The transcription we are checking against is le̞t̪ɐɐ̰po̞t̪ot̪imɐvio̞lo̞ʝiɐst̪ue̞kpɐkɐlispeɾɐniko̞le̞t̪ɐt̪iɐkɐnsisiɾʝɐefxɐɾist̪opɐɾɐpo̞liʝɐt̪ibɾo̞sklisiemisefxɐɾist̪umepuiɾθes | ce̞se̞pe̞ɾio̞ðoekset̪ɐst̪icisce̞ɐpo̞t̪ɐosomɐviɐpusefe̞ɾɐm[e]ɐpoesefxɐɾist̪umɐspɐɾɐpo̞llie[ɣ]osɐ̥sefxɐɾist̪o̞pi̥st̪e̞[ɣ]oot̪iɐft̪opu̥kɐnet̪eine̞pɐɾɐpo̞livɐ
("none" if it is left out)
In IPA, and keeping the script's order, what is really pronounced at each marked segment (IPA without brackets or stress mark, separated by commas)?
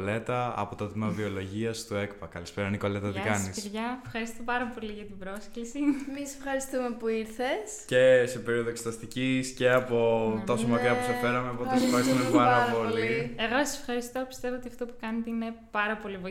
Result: e, ɣ, v